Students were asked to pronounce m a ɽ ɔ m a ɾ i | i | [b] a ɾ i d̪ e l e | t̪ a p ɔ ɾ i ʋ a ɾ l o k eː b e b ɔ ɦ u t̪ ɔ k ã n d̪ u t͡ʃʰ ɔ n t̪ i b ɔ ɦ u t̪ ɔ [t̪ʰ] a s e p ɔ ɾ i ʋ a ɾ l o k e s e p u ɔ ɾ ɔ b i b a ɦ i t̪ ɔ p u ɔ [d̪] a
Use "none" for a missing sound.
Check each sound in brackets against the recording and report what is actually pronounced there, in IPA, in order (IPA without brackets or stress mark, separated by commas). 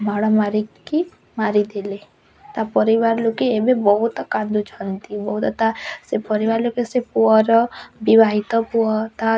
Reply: m, t̪, t̪